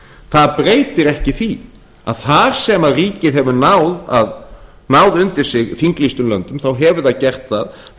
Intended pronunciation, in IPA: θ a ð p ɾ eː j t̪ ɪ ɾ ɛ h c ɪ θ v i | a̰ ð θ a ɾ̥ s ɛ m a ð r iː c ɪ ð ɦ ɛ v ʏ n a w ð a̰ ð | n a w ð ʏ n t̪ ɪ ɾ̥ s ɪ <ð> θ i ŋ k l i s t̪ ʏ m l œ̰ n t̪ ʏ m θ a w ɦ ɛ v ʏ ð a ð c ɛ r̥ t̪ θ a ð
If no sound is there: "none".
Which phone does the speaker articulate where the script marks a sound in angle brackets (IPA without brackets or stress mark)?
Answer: ɣ